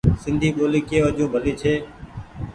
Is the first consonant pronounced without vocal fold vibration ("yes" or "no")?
yes